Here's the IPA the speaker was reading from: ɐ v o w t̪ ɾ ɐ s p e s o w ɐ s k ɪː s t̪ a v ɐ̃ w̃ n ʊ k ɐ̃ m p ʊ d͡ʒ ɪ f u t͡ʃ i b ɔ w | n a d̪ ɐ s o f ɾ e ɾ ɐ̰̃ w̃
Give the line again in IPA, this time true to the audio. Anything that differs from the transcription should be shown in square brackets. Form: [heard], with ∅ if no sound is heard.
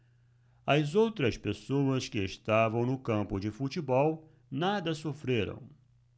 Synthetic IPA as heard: ɐ [z] o w t̪ ɾ ɐ s p e s o w ɐ s k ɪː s t̪ a v ɐ̃ w̃ n ʊ k ɐ̃ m p ʊ d͡ʒ ɪ f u t͡ʃ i b ɔ w | n a d̪ ɐ s o f ɾ e ɾ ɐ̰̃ w̃